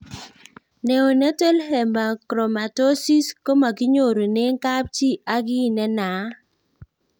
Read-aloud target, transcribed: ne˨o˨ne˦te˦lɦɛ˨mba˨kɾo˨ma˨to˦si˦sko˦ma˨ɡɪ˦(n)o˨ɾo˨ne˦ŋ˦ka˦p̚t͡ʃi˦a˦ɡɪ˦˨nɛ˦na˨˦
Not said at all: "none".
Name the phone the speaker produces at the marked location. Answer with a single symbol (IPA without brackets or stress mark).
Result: ɲ